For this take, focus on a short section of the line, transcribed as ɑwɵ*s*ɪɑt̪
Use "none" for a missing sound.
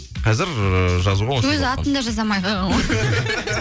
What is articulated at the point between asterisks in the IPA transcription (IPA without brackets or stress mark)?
z